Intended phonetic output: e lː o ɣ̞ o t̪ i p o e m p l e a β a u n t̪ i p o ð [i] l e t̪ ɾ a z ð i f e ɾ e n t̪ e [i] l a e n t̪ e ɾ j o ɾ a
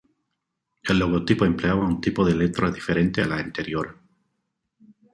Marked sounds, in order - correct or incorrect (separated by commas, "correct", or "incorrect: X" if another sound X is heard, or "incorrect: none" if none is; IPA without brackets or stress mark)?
incorrect: e, incorrect: a